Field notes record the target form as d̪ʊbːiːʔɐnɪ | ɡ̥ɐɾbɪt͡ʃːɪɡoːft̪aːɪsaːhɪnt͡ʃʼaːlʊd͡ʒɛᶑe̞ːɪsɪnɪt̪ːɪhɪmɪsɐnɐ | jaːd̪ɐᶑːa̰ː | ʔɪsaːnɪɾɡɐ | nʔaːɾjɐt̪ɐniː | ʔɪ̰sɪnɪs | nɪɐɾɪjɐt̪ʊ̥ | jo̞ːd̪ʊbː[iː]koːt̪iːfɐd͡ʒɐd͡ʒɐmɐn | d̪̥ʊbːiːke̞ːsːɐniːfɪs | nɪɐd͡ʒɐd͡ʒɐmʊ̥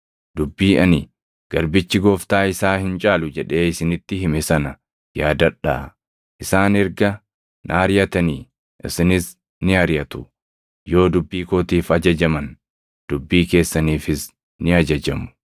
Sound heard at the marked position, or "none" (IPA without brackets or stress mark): iː